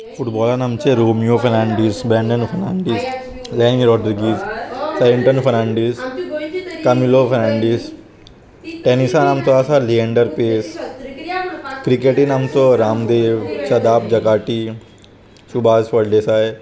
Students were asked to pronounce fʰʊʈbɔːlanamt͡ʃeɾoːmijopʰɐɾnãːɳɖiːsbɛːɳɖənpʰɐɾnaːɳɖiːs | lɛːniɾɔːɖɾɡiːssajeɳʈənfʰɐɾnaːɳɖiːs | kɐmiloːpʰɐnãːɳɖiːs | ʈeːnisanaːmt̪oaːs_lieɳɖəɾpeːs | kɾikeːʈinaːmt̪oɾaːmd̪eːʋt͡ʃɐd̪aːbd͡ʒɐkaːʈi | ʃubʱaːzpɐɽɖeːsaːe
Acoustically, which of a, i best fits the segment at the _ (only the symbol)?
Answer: a